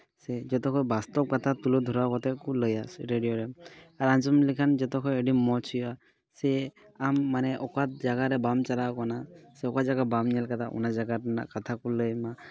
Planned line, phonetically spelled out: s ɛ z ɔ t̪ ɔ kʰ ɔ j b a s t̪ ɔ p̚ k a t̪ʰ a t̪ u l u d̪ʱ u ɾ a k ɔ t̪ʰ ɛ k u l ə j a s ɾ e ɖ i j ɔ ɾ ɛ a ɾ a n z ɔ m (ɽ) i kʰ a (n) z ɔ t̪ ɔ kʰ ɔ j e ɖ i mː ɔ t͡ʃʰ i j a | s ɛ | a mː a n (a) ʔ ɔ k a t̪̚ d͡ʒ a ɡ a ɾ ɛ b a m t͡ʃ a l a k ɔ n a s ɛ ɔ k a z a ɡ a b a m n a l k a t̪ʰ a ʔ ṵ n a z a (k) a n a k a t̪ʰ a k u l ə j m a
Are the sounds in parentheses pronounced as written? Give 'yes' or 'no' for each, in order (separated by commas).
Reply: no, yes, no, no